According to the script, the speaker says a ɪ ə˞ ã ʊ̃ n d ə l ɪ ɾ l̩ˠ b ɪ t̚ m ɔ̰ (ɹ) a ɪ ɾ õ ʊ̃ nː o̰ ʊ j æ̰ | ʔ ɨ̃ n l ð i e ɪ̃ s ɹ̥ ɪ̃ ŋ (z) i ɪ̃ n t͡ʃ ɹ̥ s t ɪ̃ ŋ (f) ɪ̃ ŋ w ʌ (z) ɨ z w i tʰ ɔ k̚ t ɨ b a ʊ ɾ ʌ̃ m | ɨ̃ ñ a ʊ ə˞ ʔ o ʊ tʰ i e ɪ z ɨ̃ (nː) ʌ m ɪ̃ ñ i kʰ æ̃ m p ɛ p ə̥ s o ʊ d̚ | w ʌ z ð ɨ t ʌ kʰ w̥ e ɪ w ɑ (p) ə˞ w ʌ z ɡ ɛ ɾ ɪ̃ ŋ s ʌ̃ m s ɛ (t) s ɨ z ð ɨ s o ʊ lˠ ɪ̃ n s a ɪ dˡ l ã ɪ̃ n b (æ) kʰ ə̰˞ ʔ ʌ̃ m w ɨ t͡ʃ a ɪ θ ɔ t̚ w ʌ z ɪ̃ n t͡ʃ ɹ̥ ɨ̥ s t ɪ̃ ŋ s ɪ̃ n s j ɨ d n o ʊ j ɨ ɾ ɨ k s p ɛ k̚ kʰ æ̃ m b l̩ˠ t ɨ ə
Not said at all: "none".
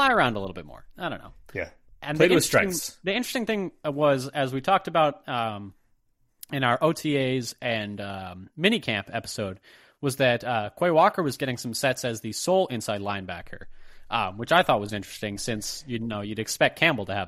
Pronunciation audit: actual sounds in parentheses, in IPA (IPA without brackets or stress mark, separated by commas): ɹ, ð, θ, z, n, k, t, æ